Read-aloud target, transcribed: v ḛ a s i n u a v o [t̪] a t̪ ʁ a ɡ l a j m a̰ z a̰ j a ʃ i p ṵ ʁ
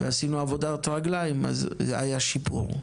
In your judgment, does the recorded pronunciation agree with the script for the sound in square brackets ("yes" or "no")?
no